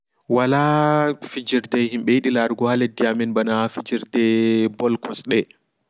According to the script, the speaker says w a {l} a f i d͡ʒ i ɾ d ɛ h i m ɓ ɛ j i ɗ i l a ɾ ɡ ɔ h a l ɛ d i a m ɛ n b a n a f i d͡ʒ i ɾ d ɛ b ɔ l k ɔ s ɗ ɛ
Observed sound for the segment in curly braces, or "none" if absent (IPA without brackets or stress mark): l